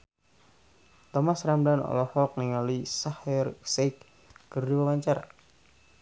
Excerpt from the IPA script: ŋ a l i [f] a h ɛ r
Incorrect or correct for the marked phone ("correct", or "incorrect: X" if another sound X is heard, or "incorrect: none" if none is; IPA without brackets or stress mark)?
incorrect: s